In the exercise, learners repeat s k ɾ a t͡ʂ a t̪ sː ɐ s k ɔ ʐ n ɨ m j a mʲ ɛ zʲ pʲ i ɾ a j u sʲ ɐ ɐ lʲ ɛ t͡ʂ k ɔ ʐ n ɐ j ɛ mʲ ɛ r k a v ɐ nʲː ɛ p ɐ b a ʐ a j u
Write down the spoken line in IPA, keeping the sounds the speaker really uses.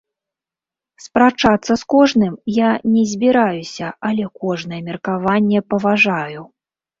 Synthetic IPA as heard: s p ɾ a t͡ʂ a t̪ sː ɐ s k ɔ ʐ n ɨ m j a nʲ ɛ zʲ bʲ i ɾ a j u sʲ ɐ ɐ lʲ ɛ k ɔ ʐ n ɐ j ɛ mʲ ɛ r k a v a nʲː ɛ p ɐ v a ʐ a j u